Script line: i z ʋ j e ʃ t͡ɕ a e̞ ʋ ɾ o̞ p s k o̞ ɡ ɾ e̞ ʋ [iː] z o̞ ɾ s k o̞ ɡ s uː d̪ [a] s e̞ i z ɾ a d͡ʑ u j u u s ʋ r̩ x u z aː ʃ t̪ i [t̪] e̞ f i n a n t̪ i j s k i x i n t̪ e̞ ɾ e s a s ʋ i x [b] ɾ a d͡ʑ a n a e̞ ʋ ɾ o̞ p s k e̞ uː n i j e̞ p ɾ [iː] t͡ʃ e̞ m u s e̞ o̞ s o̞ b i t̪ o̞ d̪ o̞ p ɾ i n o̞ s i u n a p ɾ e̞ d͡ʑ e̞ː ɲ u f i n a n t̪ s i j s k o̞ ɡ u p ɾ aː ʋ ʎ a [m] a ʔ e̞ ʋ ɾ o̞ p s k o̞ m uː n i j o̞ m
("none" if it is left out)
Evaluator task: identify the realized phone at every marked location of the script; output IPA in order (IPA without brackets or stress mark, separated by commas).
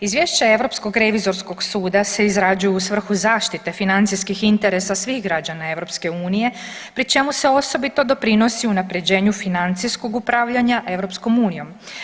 i, a, t̪, ɡ, i, ɲ